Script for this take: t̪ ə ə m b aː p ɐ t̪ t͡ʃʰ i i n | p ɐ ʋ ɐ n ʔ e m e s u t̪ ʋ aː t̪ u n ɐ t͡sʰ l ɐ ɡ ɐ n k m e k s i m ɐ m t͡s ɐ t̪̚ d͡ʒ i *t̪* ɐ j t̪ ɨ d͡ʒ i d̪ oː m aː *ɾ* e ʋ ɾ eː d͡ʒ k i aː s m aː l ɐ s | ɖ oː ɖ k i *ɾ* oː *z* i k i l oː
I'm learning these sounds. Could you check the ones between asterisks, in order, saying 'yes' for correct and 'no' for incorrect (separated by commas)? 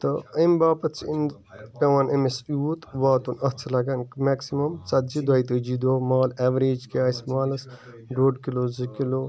no, no, no, yes